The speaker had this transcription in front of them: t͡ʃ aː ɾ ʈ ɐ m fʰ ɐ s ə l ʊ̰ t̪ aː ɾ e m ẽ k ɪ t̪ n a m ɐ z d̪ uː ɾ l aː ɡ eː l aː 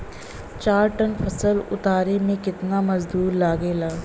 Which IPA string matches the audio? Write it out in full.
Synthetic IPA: t͡ʃ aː ɾ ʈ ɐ n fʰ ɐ s ə l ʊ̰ t̪ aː ɾ e m ẽ k ɪ t̪ n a m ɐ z d̪ uː ɾ l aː ɡ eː l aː